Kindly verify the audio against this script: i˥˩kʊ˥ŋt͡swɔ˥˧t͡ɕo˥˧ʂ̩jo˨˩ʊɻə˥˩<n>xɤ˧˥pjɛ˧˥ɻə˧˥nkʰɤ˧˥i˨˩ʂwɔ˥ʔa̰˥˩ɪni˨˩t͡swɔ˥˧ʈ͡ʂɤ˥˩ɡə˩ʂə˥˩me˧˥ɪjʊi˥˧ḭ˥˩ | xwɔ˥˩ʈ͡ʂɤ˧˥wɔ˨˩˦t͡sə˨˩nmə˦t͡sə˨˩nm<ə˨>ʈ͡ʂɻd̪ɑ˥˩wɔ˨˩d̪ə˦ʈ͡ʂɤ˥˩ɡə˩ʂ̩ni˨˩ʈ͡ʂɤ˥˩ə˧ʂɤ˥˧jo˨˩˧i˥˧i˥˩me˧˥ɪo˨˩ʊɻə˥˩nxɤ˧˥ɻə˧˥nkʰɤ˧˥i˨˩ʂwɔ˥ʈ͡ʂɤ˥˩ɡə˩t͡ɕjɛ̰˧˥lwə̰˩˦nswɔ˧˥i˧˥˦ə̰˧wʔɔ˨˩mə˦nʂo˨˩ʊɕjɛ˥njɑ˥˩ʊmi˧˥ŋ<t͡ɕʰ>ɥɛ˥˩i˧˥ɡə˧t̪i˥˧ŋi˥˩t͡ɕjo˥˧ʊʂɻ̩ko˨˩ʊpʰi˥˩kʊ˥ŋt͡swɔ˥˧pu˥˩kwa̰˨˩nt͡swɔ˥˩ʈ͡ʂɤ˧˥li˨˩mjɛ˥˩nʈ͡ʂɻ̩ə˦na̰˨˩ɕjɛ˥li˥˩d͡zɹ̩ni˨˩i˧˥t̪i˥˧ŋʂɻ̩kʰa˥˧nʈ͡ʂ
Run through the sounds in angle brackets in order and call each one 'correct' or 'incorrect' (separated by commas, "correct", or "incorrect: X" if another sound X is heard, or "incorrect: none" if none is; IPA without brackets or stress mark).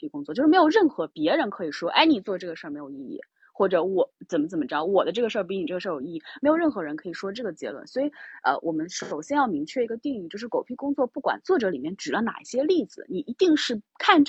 correct, incorrect: ə˦, correct